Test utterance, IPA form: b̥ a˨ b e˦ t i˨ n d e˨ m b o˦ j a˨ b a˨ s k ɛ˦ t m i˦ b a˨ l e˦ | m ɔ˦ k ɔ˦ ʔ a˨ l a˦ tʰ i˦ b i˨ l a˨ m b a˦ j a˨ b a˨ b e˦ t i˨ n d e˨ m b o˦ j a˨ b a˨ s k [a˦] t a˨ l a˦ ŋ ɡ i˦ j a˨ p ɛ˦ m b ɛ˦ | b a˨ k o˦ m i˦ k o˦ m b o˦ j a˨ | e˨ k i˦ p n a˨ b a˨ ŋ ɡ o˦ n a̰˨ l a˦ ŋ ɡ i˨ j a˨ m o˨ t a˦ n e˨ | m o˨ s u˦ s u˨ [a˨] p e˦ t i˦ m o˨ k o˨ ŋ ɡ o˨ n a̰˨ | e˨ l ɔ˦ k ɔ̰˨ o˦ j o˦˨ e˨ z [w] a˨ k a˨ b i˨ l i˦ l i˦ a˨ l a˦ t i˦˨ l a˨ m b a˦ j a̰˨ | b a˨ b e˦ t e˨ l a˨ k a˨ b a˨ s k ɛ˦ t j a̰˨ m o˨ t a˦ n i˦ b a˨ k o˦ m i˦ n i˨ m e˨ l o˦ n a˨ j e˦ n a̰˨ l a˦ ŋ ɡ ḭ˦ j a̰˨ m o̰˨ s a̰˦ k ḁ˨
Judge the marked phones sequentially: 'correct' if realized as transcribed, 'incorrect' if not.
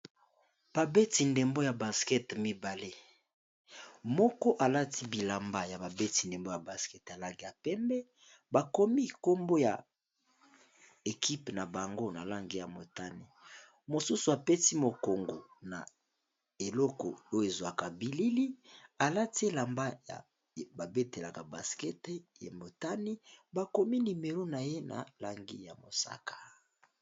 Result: incorrect, correct, correct

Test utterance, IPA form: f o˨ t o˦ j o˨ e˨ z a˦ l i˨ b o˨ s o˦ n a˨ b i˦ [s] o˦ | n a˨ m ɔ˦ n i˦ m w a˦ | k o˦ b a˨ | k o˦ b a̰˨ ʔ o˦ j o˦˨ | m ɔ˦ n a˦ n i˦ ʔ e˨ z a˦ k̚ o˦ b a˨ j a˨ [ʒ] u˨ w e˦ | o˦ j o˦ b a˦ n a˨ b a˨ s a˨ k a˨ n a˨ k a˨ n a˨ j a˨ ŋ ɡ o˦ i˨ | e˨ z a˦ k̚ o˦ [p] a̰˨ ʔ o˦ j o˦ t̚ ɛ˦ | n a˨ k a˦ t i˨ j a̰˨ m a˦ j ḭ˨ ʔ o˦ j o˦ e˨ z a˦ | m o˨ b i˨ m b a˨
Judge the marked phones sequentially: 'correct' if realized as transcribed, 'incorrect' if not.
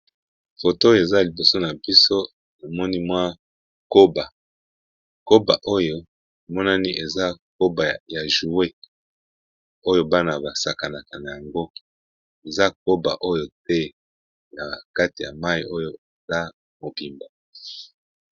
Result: correct, correct, incorrect

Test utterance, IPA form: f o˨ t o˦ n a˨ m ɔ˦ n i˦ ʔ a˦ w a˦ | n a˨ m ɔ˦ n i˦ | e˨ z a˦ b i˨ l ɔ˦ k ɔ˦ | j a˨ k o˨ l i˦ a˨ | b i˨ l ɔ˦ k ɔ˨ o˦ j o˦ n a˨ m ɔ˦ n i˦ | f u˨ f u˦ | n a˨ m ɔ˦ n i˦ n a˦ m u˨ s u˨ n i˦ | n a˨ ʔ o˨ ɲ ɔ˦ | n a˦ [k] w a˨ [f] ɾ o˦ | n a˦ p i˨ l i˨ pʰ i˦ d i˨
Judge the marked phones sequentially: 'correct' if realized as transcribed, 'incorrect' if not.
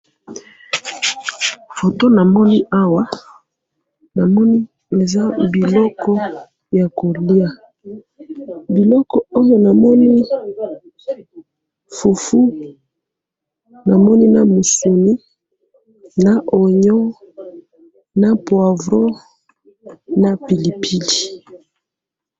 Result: incorrect, incorrect

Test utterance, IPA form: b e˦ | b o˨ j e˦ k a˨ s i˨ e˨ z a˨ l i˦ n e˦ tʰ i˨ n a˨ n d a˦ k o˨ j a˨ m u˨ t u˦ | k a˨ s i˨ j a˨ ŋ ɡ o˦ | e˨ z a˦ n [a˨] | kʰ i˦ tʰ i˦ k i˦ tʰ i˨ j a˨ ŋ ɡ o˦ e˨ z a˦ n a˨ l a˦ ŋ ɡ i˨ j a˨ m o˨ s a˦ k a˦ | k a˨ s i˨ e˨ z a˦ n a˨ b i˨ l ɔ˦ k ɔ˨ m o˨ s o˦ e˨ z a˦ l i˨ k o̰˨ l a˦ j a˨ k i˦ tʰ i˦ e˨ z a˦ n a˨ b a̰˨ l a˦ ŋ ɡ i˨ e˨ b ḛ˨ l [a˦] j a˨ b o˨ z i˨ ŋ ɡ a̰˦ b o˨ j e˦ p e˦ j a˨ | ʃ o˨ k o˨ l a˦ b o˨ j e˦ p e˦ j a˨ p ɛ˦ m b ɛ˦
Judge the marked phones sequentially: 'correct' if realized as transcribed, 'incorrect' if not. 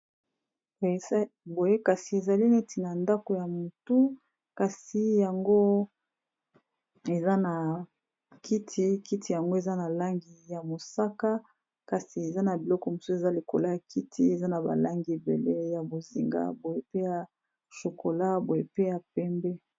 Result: correct, incorrect

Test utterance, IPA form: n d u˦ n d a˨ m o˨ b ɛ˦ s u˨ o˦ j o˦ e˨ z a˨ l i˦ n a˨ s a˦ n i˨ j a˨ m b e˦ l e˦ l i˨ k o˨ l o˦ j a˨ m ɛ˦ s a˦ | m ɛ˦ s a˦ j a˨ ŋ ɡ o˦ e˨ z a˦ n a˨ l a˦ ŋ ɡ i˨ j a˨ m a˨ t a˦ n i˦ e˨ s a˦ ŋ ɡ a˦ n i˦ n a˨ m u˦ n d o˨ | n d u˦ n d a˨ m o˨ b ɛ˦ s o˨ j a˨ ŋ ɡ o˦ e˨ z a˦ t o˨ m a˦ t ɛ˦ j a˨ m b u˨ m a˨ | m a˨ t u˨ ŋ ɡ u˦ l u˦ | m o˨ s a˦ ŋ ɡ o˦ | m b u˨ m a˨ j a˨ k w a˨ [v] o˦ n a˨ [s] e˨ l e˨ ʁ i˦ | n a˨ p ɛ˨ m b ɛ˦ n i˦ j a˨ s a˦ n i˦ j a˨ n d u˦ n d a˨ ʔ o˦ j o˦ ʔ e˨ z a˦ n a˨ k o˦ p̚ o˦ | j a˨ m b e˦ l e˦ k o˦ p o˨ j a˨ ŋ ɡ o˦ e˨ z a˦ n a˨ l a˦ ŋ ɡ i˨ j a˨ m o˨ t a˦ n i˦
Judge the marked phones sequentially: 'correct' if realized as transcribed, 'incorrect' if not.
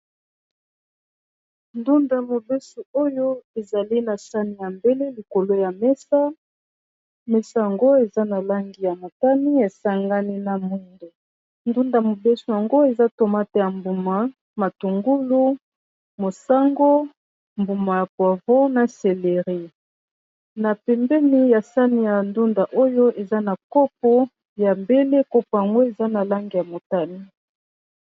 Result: correct, correct

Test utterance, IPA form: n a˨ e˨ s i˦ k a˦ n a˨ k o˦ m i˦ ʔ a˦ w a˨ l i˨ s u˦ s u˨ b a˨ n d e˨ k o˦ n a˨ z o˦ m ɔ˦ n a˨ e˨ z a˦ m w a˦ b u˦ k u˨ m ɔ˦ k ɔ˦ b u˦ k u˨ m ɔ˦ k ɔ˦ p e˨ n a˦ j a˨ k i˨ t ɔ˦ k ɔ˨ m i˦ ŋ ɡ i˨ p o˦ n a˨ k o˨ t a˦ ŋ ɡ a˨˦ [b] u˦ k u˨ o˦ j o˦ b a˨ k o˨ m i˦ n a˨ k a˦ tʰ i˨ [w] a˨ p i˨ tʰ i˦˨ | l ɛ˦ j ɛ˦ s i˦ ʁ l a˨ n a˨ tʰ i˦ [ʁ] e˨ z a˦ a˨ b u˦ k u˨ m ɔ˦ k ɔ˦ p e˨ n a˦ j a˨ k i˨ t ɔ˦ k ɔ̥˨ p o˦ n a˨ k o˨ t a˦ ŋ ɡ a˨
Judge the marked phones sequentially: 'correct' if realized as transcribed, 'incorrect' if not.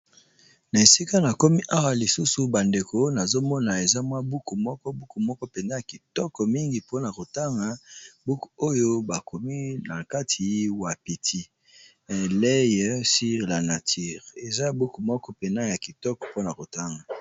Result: correct, correct, correct

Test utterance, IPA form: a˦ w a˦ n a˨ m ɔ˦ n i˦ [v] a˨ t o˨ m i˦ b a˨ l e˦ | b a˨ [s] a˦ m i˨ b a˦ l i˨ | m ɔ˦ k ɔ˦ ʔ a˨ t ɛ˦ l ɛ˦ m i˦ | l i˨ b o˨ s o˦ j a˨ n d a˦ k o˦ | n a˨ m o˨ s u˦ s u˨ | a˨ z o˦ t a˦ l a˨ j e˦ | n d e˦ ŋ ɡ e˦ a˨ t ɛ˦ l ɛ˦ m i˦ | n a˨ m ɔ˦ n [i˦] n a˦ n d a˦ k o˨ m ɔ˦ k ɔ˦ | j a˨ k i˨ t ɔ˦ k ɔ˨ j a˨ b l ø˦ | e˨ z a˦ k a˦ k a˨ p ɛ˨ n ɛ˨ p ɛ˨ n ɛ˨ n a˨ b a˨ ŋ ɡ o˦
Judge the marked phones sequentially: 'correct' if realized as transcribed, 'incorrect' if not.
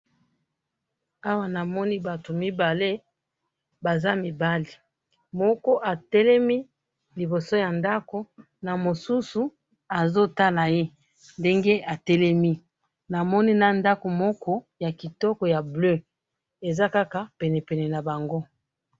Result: incorrect, incorrect, correct

